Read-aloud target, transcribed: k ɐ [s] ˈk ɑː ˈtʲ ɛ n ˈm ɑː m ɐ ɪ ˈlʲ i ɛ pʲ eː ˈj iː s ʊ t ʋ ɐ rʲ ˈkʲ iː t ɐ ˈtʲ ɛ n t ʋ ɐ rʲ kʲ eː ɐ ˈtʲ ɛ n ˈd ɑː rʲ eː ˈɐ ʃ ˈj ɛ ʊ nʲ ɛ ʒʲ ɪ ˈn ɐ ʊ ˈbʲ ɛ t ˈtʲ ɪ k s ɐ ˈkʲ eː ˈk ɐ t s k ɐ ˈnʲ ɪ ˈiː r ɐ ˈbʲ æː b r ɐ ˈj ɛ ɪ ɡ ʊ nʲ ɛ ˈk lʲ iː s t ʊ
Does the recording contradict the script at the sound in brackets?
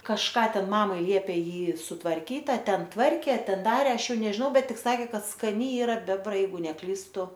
yes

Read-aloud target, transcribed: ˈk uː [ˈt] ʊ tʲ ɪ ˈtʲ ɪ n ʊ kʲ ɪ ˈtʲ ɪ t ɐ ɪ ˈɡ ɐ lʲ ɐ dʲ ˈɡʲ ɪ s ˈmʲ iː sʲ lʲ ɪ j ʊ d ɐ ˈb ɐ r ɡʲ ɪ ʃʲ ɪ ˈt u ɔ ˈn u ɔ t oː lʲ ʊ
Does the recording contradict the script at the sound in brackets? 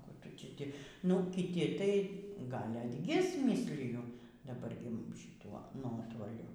no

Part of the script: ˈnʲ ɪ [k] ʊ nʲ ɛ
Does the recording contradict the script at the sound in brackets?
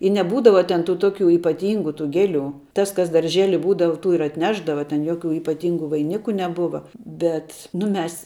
no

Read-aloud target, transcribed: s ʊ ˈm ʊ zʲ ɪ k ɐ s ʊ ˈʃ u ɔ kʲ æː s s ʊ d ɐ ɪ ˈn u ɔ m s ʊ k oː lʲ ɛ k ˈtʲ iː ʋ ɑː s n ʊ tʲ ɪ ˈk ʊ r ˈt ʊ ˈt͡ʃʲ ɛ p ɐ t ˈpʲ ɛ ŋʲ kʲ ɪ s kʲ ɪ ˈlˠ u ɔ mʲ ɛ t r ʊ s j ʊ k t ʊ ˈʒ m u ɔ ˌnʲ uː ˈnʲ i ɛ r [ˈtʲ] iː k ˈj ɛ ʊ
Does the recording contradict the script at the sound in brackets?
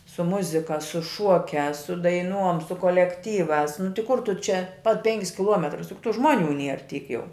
no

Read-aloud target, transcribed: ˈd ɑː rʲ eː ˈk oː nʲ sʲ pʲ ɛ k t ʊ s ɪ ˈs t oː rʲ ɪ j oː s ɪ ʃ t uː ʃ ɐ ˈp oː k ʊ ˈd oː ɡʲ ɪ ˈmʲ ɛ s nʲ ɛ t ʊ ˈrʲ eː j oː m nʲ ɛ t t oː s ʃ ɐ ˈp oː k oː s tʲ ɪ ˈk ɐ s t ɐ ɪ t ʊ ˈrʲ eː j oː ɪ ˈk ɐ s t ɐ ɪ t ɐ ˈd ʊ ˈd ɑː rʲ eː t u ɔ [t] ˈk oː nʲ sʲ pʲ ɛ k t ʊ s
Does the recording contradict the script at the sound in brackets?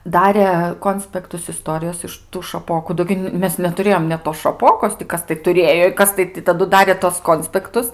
yes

